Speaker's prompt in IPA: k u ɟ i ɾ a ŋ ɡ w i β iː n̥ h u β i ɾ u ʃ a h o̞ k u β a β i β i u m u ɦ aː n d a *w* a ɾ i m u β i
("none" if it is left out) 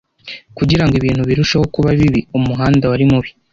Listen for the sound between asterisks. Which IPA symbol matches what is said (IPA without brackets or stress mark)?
w